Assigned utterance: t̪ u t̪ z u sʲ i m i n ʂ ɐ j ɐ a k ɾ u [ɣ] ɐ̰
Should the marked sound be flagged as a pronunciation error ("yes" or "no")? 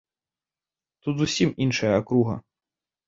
no